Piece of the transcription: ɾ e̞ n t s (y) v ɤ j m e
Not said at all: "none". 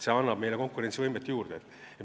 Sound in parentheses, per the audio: i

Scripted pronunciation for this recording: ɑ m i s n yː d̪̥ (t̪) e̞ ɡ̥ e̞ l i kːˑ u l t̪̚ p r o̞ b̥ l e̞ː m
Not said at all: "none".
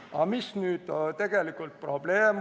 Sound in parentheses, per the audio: t̪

